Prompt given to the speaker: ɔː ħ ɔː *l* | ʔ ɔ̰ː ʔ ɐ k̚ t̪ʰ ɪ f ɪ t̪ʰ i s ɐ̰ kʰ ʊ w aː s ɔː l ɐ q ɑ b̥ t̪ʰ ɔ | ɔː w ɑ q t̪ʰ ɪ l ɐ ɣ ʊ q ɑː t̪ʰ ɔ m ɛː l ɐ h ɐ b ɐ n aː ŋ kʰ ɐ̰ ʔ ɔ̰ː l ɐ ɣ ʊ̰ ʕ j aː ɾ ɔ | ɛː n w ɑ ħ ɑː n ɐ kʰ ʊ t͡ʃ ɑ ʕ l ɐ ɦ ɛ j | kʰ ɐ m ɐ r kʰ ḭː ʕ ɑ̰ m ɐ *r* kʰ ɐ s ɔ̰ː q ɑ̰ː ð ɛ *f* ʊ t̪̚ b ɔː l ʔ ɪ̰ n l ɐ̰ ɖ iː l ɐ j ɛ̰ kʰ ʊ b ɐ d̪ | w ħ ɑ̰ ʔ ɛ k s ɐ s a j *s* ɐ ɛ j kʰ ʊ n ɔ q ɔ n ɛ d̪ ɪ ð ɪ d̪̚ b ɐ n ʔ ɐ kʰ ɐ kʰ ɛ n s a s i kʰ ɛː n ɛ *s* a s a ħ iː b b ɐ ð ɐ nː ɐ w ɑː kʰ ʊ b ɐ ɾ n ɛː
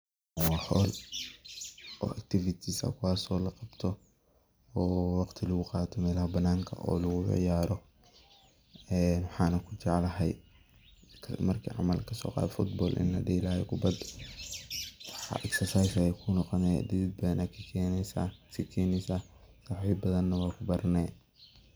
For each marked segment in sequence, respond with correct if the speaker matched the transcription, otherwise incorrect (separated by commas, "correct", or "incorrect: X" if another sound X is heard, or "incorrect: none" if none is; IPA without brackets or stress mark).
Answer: correct, incorrect: l, correct, correct, correct